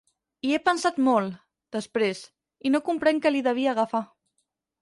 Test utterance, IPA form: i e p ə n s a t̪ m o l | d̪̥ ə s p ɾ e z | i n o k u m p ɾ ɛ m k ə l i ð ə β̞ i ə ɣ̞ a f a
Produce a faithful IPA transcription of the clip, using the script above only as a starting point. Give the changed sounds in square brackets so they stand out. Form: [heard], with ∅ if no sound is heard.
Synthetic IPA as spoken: i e p ə n s a t̪ m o l | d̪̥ ə s p ɾ e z | i n o k u m p ɾ ɛ [ŋ] k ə l i ð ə β̞ i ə ɣ̞ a f a